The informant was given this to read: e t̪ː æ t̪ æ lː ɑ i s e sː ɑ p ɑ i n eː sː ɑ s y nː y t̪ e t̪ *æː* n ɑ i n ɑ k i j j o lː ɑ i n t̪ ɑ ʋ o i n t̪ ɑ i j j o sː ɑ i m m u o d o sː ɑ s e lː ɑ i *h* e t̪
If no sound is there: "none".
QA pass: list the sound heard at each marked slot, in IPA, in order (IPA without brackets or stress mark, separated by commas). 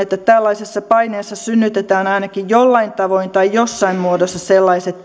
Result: æː, s